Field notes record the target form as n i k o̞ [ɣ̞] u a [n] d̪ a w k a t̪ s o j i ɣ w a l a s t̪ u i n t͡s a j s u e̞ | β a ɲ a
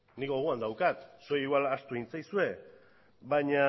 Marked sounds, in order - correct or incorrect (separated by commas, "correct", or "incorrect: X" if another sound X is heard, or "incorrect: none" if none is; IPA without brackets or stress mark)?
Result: correct, correct